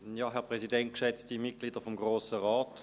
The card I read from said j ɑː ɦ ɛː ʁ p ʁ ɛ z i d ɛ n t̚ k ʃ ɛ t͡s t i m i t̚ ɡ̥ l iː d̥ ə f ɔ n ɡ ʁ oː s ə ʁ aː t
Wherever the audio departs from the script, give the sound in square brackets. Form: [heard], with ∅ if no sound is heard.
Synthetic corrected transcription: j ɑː ɦ [ɛ] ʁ p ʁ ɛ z i d ɛ n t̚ k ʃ ɛ t͡s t i m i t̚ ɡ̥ l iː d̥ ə f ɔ [m] ɡ ʁ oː s ə ʁ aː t

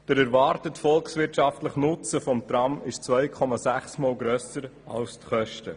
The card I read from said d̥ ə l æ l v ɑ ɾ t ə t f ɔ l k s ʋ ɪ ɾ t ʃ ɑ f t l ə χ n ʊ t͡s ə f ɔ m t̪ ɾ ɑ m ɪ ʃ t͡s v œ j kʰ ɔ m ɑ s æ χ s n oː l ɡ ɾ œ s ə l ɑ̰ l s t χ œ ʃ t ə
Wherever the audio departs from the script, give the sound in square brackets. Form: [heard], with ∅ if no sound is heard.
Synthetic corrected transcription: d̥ ə [ɾ] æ [ɾ] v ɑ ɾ t ə t f ɔ l k s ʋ ɪ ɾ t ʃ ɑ f t l ə χ n ʊ t͡s ə f ɔ m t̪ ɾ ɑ m ɪ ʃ t͡s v œ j kʰ ɔ m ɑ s æ χ s [m] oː l ɡ ɾ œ s ə [ɾ] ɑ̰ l s t χ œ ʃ t ə

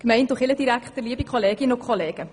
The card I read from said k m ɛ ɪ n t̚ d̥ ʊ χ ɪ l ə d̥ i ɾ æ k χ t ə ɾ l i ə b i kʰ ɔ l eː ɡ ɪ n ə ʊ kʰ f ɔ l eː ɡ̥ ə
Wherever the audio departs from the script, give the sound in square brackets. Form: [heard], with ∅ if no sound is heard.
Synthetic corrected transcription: k m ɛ ɪ n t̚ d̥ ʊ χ ɪ l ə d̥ i ɾ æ k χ t ə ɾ l i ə b i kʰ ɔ l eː ɡ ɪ n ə ʊ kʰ [χ] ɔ l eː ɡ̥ ə

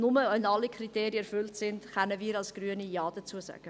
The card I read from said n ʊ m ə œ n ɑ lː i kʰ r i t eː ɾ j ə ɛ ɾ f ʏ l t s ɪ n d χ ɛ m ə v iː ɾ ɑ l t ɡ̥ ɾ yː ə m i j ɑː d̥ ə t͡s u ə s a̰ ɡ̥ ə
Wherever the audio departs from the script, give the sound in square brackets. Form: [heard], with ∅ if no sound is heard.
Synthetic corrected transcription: n ʊ m ə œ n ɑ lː i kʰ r i t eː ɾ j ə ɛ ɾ f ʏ l t s ɪ n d χ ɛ [n] ə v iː ɾ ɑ l [s] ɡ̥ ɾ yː ə [n] i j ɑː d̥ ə t͡s u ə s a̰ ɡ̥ ə

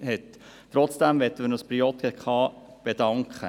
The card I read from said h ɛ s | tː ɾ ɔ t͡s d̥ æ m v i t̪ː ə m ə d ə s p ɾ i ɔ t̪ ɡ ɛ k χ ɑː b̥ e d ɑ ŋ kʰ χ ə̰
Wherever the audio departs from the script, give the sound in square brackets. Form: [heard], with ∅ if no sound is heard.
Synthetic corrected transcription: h ɛ [t] | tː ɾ ɔ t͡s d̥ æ m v [ɛ] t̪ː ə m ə [n] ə s p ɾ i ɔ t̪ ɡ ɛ k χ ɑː b̥ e d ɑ ŋ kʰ χ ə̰

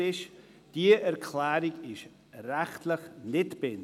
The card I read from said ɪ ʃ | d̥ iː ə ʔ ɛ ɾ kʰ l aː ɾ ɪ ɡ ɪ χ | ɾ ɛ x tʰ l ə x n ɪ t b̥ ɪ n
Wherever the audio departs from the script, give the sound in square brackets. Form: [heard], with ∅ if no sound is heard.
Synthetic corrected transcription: ɪ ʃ | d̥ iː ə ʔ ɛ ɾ kʰ l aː ɾ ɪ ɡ ɪ [ʃ] | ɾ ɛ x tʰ l ə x n ɪ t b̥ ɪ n

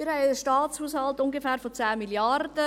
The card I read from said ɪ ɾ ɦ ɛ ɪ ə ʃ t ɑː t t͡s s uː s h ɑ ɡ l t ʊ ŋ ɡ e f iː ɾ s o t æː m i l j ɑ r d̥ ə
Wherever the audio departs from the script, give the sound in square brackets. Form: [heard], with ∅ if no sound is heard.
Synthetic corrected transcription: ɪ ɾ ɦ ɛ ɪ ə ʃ t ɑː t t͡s [h] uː s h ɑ [∅] l t ʊ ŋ ɡ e f [æː] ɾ [f] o [t͡s] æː m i l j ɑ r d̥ ə

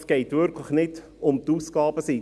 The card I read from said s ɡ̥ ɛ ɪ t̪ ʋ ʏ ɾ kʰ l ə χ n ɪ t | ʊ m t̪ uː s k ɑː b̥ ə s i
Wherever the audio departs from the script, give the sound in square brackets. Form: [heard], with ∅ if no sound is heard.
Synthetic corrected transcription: s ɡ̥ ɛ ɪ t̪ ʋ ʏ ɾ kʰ l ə χ n ɪ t | ʊ m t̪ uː s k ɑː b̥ ə s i

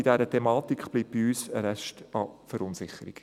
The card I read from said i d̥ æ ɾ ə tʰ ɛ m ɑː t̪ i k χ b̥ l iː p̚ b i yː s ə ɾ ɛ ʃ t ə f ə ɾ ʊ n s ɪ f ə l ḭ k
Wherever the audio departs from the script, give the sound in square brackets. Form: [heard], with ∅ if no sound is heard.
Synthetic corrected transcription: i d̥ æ ɾ ə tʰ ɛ m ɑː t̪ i k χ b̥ l iː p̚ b i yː s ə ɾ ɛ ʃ t [ɑ] f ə ɾ ʊ n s ɪ [χ] ə [ɾ] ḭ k

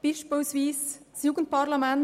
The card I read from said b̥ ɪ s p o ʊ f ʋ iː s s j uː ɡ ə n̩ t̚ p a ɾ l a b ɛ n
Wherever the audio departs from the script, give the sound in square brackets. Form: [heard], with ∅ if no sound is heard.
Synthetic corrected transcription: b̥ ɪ [ʃ] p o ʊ [s] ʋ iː s s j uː ɡ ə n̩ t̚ p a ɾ l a [m] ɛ n

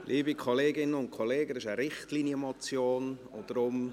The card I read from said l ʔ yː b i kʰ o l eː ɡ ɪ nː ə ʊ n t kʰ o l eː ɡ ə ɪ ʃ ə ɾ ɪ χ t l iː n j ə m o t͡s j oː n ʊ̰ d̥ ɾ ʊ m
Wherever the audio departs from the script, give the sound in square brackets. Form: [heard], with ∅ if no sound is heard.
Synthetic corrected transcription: l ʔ [iː] b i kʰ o l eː ɡ ɪ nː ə ʊ n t kʰ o l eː ɡ ə ɪ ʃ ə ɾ ɪ χ t l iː n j ə m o t͡s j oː n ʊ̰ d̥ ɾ ʊ m

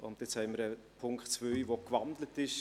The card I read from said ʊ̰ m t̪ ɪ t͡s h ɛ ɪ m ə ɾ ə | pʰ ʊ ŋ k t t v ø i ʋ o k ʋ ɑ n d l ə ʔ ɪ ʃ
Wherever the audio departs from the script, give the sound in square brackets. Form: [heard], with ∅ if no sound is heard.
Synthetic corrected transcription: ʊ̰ [n] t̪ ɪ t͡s h ɛ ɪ m ə ɾ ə | pʰ ʊ ŋ k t [t͡s] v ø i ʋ o k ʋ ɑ n d l ə [t] ɪ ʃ

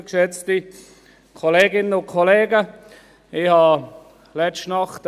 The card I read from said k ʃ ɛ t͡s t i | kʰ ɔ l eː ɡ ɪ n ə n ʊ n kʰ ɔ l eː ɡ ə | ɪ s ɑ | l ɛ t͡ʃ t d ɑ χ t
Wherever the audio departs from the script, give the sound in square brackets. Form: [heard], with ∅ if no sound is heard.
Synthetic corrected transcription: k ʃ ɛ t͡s t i | kʰ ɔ l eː ɡ ɪ n ə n ʊ n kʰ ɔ l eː ɡ ə | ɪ [h] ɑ | l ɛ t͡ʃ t [n] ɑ χ t

